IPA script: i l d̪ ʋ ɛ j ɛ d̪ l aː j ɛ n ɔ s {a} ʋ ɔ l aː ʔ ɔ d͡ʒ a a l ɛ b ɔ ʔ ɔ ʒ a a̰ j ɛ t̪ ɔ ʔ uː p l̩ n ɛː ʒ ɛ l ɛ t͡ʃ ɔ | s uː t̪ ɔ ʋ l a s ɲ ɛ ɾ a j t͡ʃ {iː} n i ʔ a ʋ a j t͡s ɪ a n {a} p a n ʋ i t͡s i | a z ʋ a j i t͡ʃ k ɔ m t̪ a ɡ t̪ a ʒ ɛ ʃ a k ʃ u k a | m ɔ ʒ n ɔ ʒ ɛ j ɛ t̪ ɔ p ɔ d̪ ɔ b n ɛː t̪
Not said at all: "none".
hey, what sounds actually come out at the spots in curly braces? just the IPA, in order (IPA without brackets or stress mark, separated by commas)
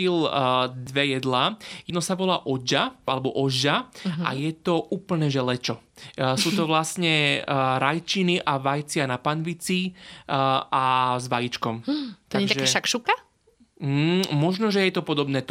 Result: a, i, a